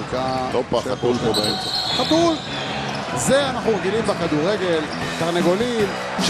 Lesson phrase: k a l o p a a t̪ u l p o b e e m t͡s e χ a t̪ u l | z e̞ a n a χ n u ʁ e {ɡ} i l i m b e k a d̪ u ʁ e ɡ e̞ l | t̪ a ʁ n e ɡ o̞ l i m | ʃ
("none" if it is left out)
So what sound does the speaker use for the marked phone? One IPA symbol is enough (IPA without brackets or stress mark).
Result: ɡ